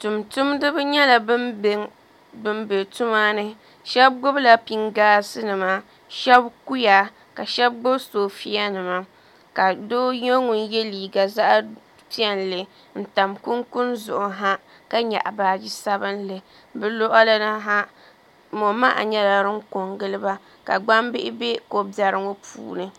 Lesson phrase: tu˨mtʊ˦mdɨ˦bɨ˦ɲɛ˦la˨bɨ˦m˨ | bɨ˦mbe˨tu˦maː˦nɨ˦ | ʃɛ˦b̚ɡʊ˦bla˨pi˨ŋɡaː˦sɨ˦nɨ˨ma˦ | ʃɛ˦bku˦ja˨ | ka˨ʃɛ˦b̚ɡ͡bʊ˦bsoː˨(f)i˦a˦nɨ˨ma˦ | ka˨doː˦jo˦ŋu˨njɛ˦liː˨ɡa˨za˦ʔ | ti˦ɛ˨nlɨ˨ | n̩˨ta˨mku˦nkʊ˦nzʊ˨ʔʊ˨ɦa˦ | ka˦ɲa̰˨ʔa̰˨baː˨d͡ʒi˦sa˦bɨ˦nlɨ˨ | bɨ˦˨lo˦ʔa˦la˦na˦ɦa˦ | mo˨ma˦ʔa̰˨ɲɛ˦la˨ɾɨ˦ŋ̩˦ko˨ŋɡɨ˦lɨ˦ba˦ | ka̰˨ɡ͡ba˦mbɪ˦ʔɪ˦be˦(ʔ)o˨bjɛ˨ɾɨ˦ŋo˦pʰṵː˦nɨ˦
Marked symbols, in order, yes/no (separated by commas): yes, no